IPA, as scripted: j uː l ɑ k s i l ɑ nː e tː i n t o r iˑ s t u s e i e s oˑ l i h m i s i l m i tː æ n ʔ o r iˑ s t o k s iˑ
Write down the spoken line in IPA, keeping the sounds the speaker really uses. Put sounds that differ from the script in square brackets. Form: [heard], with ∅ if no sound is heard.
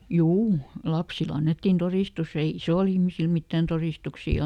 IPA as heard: j uː l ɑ [p] s i l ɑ nː e tː i n t o r iˑ s t u s e i [i] s oˑ l i h m i s i l m i tː æ n [t] o r iˑ s t [u] k s iˑ